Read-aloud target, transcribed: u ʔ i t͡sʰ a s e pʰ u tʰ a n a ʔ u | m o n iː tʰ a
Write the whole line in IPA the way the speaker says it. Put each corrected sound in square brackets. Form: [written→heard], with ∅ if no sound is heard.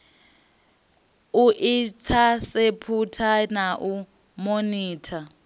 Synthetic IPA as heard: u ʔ i t͡sʰ a s e pʰ u tʰ a n a ʔ u | m o n iː tʰ a

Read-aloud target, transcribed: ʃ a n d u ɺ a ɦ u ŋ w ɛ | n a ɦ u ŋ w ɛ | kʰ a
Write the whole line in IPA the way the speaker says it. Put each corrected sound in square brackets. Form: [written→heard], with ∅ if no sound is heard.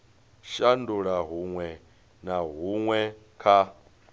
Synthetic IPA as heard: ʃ a n d u ɺ a ɦ u ŋ w ɛ | n a ɦ u ŋ w ɛ | kʰ a

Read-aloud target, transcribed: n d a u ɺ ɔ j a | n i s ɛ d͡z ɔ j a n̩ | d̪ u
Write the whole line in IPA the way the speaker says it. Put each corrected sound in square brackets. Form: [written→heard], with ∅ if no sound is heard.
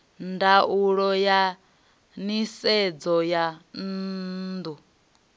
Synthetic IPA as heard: n d a u ɺ ɔ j a | n i s ɛ d͡z ɔ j a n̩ | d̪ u

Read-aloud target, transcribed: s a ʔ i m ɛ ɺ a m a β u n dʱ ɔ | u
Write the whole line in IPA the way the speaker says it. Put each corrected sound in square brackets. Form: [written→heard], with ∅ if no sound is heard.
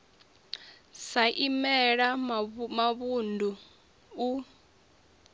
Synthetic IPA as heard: s a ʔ i m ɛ ɺ a m a β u n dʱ [ɔ→u] | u

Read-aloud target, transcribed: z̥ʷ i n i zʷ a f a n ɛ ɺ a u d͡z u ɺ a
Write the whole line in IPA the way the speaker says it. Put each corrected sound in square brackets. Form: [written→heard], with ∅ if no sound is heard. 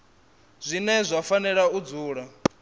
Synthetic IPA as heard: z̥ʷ i n [i→ɛ] zʷ a f a n ɛ ɺ a u d͡z [u→uː] ɺ a

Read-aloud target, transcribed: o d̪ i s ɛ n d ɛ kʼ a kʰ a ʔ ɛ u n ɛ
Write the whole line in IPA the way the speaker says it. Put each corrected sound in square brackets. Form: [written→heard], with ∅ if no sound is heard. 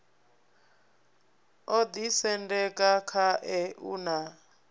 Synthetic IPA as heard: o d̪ i s ɛ n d ɛ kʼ a kʰ a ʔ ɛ u n [ɛ→a]

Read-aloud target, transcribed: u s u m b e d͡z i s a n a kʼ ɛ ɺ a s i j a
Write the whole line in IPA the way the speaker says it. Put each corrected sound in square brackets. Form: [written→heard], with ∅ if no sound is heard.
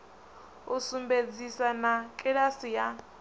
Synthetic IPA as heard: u s u m b e d͡z i s a n a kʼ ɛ ɺ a s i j a

